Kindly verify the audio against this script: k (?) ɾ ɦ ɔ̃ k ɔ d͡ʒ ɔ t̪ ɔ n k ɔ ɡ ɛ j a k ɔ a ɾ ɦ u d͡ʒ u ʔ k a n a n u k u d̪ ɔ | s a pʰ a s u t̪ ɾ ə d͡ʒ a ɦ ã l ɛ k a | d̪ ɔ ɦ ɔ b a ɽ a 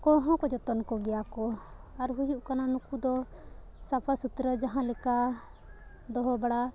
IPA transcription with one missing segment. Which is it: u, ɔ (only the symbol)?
ɔ